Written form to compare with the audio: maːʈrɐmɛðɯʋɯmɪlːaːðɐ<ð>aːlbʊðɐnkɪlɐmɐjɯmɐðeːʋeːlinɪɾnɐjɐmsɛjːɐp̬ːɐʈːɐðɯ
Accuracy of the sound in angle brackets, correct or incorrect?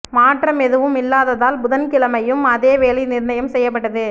correct